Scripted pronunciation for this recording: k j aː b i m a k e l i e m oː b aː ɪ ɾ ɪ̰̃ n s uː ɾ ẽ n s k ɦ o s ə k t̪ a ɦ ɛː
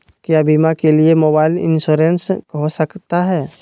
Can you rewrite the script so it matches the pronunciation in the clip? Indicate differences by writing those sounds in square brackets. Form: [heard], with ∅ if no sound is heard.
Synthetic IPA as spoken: k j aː b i m a k e l i e m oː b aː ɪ [l] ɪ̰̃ n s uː ɾ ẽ n s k ɦ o s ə k t̪ a ɦ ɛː